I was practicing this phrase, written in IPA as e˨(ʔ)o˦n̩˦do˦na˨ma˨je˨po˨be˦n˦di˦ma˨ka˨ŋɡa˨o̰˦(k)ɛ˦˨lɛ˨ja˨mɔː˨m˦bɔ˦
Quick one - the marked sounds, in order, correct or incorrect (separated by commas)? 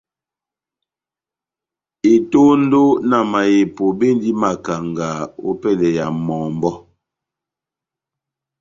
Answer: incorrect, incorrect